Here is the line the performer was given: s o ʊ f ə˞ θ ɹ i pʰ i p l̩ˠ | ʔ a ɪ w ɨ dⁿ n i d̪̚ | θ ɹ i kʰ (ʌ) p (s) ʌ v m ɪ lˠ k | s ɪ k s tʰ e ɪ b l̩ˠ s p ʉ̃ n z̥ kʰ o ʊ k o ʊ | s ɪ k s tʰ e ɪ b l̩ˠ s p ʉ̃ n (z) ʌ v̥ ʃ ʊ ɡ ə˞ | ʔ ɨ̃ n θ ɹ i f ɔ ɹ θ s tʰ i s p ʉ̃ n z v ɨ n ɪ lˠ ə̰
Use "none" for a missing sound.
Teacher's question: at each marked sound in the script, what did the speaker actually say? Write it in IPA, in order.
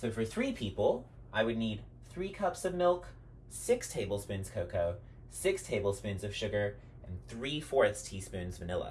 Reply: ʌ, s, z

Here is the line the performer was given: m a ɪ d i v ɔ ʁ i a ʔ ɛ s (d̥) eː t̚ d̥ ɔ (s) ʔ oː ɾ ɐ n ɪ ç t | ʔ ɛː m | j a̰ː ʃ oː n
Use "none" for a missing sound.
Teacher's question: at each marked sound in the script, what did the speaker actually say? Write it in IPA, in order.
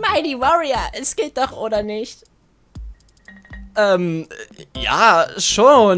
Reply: ɡ̥, χ

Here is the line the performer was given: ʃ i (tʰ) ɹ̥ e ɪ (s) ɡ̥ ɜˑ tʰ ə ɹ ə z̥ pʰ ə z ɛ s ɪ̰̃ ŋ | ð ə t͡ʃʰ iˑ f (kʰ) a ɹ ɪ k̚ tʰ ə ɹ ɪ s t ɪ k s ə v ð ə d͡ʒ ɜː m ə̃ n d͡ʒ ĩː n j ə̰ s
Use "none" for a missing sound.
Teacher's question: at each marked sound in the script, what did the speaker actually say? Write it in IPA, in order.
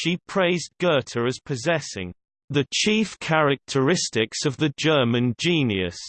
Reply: pʰ, z, kʰ

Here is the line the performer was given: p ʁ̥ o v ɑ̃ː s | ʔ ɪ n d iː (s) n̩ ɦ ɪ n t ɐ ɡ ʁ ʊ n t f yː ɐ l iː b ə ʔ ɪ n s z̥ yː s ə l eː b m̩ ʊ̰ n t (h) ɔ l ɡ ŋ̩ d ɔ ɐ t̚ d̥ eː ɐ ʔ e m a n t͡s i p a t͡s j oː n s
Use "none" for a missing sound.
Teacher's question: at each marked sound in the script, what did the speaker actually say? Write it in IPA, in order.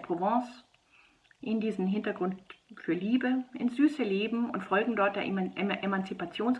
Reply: z, f

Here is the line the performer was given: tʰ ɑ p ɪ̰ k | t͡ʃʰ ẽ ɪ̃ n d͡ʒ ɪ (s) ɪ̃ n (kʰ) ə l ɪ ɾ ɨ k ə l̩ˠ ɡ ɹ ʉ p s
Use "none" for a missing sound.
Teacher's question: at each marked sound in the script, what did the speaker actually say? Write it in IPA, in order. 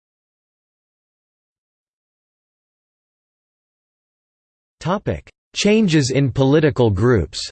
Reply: z, pʰ

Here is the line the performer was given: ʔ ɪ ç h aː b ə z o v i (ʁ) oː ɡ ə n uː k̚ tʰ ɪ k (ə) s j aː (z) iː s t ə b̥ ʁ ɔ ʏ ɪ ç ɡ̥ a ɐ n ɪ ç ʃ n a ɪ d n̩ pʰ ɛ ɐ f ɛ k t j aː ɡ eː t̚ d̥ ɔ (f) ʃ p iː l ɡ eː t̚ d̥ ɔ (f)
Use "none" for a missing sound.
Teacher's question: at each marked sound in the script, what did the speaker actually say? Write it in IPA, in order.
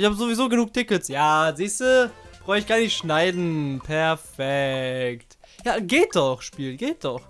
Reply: z, ə, z, χ, χ

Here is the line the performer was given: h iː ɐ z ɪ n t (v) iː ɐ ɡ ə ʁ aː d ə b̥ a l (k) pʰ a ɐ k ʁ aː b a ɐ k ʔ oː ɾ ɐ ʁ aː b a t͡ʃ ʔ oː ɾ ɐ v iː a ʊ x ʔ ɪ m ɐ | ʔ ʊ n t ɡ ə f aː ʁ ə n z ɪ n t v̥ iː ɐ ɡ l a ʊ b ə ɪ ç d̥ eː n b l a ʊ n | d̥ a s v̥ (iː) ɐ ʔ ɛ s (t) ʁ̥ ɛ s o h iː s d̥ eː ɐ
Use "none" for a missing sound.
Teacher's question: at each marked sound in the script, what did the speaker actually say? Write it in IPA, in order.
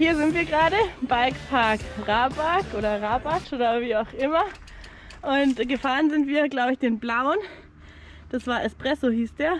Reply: v, k, aː, p

